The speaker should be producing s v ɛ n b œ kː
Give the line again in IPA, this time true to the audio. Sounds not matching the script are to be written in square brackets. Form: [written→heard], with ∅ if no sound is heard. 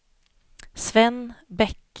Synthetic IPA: s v ɛ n b [œ→ɛ] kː